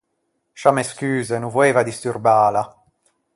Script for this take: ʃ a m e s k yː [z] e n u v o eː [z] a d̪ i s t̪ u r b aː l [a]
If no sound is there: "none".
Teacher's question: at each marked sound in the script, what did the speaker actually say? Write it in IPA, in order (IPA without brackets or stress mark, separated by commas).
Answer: z, v, a